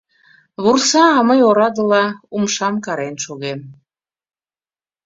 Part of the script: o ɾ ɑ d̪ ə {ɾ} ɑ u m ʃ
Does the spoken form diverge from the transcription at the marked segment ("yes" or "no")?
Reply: yes